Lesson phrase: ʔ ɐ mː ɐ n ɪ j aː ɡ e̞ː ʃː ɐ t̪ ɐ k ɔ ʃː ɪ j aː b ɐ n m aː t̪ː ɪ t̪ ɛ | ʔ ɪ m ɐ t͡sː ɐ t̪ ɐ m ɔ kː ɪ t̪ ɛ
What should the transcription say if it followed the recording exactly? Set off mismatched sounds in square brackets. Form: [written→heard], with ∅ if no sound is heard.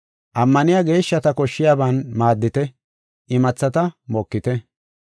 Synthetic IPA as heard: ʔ ɐ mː ɐ n ɪ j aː ɡ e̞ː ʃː ɐ t̪ ɐ k ɔ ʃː ɪ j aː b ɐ n m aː [t̪ː→d̪ː] ɪ t̪ ɛ | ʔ ɪ m ɐ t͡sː ɐ t̪ ɐ m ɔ kː ɪ t̪ ɛ